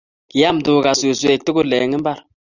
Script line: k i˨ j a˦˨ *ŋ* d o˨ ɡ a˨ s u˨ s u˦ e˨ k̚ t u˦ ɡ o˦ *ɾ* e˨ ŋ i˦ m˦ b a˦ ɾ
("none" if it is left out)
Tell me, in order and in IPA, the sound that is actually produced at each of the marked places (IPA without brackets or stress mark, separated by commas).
m, l